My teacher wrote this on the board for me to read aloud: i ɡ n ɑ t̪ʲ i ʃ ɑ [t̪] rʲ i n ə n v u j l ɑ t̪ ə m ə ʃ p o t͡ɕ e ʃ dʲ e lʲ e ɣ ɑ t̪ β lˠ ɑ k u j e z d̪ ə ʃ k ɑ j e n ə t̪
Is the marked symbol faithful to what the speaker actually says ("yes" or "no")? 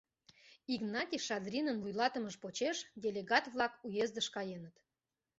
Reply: no